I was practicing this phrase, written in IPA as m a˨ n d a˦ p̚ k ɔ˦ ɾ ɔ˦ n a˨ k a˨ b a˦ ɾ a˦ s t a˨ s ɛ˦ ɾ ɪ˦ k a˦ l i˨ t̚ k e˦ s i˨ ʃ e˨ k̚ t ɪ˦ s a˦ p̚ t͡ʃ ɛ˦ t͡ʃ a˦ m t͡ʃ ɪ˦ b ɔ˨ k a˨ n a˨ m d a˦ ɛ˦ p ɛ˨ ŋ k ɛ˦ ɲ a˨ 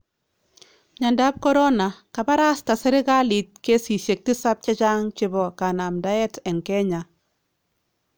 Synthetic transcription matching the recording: ɲ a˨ n d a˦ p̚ k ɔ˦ ɾ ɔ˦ n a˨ k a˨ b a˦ ɾ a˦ s t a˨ s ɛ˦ ɾ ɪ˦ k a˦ l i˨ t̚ k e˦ s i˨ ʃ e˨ k̚ t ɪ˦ s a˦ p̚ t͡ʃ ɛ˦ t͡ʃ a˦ ŋ t͡ʃ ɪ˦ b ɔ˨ k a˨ n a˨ m d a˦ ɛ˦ t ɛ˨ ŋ k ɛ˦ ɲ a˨